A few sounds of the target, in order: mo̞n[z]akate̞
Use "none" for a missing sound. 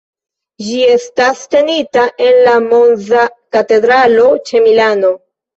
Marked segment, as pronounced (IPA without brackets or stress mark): z